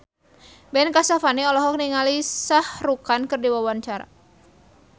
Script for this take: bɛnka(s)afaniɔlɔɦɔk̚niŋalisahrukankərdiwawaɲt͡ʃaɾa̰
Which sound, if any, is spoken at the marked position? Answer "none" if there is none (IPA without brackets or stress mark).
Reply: s